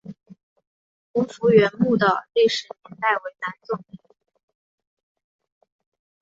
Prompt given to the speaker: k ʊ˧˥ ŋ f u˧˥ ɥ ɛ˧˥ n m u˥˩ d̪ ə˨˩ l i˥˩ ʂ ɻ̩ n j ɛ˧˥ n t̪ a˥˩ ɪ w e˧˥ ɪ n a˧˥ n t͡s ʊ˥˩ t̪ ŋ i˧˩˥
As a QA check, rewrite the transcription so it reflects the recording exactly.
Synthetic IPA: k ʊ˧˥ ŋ f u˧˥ ɥ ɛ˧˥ n m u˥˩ d̪ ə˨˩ l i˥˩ ʂ ɻ̩ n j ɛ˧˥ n t̪ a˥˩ ɪ w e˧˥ ɪ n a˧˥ n t͡s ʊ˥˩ ŋ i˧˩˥